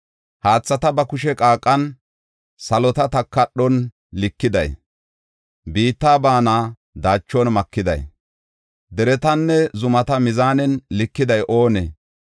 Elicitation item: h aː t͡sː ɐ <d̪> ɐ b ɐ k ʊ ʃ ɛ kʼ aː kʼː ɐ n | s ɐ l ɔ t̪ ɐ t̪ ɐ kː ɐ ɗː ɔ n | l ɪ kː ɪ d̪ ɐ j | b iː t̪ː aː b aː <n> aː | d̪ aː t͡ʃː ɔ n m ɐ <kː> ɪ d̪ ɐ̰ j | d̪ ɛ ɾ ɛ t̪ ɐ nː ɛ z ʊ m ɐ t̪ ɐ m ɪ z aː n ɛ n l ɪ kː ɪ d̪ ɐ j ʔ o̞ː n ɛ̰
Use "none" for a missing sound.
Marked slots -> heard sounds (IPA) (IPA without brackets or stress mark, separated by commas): t̪, n, kː